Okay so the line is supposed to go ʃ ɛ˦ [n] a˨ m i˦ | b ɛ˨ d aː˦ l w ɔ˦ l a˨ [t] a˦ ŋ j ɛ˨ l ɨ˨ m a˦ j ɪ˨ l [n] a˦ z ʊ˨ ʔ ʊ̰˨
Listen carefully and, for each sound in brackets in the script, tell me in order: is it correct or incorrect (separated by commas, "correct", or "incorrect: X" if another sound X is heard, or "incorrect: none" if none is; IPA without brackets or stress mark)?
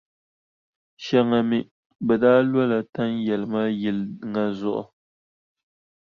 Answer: incorrect: ŋ, correct, incorrect: ŋ